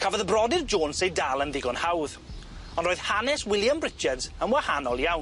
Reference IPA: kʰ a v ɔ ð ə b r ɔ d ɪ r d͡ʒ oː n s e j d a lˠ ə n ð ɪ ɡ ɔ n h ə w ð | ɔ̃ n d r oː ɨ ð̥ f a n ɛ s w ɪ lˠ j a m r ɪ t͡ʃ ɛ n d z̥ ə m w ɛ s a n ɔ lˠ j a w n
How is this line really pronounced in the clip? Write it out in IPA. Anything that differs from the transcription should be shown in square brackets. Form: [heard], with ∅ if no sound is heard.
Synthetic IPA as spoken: kʰ a v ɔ ð ə b r ɔ d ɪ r d͡ʒ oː n s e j d a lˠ ə n ð ɪ ɡ ɔ n h [a] w ð | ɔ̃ n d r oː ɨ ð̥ [h] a n ɛ s w ɪ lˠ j a m r ɪ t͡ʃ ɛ [∅] d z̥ ə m w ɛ [h] a n ɔ lˠ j a w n